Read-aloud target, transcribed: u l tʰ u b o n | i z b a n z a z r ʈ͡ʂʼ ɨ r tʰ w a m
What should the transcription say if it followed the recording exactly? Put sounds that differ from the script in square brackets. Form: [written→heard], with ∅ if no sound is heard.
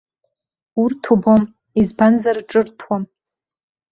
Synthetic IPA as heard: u [l→r] tʰ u b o [n→m] | i z b a n z a [z→∅] r ʈ͡ʂʼ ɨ r tʰ w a m